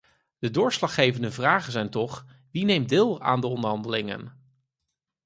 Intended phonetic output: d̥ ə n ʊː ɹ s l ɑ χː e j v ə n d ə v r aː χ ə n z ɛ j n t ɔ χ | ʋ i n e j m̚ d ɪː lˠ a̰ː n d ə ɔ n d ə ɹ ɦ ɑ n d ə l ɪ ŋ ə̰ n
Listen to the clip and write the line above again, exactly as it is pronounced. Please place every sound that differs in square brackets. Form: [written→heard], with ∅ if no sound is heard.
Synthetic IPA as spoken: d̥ ə [n→d] ʊː ɹ s l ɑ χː e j v ə n d ə v r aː χ ə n z ɛ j n t ɔ χ | ʋ i n e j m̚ d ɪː lˠ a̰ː n d ə ɔ n d ə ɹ ɦ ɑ n d ə l ɪ ŋ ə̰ n